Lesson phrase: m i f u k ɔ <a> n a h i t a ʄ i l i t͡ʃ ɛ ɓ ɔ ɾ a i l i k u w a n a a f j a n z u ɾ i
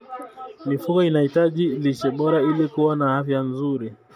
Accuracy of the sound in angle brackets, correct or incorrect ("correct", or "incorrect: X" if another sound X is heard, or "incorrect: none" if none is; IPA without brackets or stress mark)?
incorrect: i